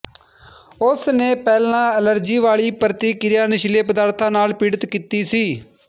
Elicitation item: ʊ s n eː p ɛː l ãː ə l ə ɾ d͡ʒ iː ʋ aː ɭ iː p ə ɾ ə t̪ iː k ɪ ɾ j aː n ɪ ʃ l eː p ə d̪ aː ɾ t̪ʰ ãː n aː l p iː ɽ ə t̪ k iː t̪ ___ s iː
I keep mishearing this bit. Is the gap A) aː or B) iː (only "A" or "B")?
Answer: B